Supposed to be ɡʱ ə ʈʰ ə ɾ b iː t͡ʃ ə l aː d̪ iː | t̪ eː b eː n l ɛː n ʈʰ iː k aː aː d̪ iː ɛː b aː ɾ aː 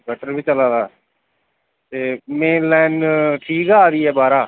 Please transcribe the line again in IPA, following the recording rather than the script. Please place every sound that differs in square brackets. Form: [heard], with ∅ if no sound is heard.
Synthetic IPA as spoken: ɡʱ ə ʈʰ ə ɾ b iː t͡ʃ ə l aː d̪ [aː] | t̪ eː [m] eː n l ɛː n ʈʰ iː k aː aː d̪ iː ɛː b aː ɾ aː